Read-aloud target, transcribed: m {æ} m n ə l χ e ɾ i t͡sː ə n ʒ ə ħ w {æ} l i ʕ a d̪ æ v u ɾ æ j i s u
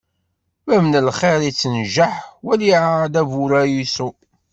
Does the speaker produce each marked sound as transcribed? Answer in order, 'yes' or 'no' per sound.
yes, yes

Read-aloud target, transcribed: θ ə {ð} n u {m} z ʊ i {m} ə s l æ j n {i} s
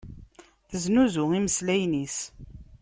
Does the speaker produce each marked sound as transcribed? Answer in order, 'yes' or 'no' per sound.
no, no, yes, yes

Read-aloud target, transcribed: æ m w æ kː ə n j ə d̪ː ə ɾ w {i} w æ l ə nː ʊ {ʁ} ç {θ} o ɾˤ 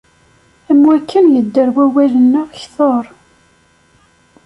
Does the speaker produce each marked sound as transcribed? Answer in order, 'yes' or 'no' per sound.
no, yes, yes

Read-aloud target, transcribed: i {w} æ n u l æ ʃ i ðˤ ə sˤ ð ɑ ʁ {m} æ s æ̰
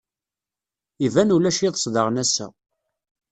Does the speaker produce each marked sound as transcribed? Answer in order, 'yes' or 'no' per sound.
no, no

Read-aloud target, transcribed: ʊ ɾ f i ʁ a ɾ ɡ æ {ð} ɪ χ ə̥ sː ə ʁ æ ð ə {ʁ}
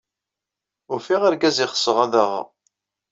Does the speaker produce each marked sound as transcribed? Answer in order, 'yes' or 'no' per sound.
no, yes

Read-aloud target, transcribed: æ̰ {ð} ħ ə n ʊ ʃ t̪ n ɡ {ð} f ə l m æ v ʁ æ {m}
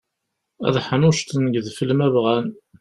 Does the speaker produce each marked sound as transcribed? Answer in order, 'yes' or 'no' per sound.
yes, yes, no

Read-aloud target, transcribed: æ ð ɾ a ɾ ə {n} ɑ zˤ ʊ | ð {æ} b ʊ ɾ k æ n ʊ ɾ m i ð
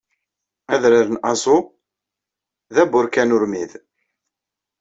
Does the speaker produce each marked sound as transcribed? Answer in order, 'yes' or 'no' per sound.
yes, yes

